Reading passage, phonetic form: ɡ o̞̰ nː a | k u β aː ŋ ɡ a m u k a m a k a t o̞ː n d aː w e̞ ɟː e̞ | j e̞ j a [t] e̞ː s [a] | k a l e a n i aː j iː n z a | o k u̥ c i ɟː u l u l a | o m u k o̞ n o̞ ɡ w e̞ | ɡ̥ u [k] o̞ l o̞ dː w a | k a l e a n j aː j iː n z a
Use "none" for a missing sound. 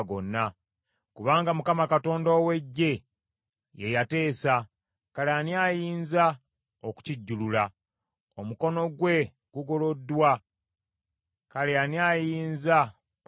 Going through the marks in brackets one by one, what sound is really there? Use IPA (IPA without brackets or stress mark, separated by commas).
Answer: t, a, ɡ